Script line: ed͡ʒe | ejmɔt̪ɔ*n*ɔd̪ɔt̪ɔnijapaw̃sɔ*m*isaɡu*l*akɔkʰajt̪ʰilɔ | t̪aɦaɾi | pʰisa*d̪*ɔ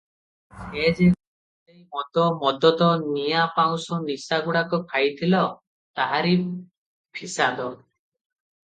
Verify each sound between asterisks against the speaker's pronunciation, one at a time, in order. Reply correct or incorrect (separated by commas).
incorrect, incorrect, incorrect, correct